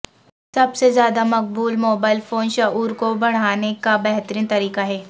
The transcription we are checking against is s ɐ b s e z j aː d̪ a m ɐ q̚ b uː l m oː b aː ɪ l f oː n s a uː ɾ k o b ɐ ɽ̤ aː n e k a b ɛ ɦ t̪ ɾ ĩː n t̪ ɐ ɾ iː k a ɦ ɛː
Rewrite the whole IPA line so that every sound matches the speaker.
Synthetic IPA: s ɐ b s e z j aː d̪ a m ɐ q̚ b uː l m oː b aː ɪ l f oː n ʃ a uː ɾ k o b ɐ ɽ̤ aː n e k a b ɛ ɦ t̪ ɾ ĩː n t̪ ɐ ɾ iː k a ɦ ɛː